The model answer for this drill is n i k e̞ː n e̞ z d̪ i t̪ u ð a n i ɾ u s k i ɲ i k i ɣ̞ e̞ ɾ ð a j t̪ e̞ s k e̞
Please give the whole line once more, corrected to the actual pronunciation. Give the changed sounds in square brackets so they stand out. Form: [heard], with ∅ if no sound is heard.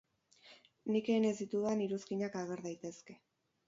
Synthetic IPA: n i k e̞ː n e̞ z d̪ i t̪ u ð a n i ɾ u s k i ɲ [a] k [a] ɣ̞ e̞ ɾ ð a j t̪ e̞ s k e̞